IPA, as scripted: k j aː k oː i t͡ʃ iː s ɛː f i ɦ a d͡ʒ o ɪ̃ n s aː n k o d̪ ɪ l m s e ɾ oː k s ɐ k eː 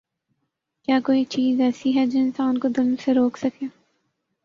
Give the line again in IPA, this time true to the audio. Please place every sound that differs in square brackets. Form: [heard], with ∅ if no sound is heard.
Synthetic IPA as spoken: k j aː k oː i t͡ʃ iː [z] ɛː [s] i ɦ [ɛ] d͡ʒ o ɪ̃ n s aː n k o d̪ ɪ l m s e ɾ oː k s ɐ k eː